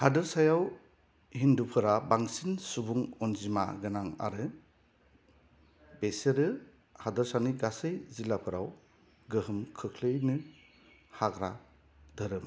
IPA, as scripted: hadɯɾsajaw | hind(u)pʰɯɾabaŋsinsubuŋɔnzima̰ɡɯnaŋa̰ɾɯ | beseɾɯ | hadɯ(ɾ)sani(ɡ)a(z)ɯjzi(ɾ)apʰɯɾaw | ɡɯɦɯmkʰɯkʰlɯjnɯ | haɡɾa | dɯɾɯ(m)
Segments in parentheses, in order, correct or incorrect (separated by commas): correct, correct, correct, incorrect, incorrect, correct